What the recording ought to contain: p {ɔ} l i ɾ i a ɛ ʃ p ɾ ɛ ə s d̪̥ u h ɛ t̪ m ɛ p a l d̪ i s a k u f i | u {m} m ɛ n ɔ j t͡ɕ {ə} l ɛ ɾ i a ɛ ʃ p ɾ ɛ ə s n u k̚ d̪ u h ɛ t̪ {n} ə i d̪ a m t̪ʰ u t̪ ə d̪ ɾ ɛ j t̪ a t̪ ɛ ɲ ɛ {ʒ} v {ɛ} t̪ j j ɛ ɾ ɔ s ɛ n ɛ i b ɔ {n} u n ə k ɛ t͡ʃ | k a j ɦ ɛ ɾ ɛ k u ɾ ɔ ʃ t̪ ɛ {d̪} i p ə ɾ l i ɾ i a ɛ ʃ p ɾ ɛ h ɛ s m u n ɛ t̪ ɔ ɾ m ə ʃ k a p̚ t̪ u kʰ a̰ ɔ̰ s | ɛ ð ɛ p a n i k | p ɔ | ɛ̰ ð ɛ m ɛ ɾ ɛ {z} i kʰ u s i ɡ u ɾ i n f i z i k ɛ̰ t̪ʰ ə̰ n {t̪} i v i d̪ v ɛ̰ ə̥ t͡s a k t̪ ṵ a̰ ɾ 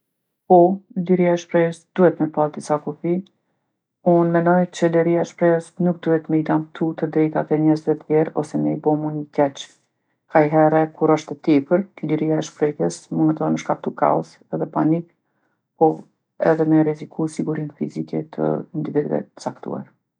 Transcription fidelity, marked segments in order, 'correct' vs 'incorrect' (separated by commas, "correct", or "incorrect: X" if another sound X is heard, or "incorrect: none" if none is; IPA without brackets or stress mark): correct, incorrect: n, correct, incorrect: m, incorrect: z, correct, incorrect: m, incorrect: t̪, correct, incorrect: d̪